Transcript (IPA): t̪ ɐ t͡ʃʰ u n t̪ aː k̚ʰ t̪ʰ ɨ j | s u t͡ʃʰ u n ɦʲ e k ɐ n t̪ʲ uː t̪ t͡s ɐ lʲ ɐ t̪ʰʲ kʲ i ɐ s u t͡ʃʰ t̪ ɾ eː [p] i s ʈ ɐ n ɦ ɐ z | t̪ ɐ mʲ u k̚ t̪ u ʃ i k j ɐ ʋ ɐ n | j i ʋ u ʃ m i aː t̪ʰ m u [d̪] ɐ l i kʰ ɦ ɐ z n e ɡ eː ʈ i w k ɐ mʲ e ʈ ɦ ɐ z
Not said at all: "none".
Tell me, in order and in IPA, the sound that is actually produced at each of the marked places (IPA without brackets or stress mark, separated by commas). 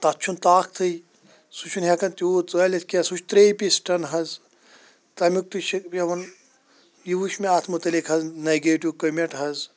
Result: p, t̪